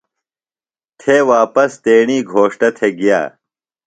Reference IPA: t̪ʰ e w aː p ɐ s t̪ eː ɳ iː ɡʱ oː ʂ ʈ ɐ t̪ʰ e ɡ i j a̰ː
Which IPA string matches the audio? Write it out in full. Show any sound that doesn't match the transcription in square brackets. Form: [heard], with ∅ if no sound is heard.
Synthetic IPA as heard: t̪ʰ e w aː p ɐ s t̪ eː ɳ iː ɡʱ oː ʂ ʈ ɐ t̪ʰ e ɡ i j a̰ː